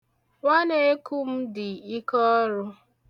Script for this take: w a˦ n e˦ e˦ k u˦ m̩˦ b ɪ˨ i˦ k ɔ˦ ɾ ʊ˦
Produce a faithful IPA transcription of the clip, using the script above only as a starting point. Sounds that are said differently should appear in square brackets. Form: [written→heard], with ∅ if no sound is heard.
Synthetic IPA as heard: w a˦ n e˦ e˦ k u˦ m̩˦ [b→d] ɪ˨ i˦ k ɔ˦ ɾ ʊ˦